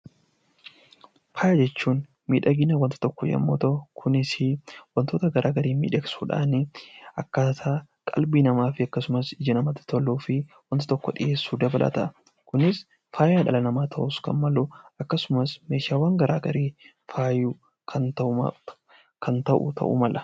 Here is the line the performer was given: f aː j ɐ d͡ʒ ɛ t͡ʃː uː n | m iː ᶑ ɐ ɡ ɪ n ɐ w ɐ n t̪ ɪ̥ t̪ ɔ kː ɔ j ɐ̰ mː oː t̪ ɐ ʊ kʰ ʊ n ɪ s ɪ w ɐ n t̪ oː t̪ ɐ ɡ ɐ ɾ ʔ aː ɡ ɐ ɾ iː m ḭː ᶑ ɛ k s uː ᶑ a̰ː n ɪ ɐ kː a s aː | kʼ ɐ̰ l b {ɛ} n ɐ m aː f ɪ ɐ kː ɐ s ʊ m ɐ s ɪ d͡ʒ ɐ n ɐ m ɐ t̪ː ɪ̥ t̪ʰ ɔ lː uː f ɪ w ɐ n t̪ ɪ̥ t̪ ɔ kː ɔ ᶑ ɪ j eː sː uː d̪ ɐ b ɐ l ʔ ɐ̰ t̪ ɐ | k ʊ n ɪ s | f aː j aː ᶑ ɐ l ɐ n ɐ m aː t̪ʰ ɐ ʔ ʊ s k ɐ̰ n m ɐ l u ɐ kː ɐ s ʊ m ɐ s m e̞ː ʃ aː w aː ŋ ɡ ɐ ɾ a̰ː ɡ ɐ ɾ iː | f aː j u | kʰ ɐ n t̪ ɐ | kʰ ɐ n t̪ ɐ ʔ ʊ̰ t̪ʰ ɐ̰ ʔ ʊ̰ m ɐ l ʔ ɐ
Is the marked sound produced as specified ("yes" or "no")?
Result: no